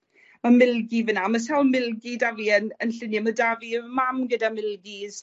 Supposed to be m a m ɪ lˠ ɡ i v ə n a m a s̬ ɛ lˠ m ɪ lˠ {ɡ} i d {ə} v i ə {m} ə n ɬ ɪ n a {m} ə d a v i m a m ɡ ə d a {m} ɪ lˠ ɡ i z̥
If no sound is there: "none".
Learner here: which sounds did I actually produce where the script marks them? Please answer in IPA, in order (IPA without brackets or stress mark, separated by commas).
ɡ, a, n, m, m